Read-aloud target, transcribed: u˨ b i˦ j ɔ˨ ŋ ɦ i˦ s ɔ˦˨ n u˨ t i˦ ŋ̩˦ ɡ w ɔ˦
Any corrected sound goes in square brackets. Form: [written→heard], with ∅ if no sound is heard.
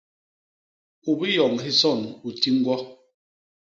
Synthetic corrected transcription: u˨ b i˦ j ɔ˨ ŋ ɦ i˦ s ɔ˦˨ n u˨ t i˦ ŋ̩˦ ɡ w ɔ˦